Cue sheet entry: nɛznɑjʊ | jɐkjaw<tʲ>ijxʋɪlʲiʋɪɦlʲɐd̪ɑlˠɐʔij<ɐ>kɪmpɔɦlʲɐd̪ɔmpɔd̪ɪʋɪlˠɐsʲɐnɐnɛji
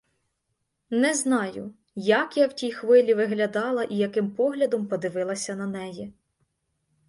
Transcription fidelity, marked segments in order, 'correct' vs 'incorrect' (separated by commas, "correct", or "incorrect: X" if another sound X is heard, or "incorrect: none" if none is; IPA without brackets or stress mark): correct, correct